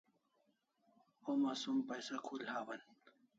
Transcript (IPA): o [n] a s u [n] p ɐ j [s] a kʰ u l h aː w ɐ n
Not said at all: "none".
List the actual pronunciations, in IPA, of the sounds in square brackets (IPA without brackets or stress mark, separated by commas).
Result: m, m, s